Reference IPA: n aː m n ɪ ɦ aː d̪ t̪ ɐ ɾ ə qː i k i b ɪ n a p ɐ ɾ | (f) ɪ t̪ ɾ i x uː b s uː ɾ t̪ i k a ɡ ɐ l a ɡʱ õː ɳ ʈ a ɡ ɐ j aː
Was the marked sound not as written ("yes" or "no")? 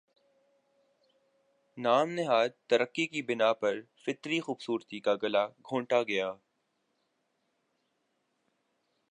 no